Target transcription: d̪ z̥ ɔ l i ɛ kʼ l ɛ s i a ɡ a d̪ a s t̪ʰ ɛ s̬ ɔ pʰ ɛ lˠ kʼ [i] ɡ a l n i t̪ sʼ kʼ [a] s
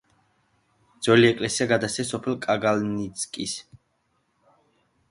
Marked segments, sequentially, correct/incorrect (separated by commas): incorrect, incorrect